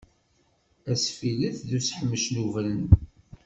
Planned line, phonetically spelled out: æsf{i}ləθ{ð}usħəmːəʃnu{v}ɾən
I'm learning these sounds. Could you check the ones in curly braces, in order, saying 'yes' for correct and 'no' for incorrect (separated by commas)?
yes, yes, yes